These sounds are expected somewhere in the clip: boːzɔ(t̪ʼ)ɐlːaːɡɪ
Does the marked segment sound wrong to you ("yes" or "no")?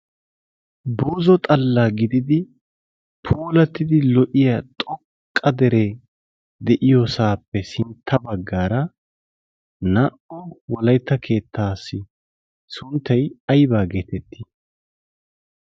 no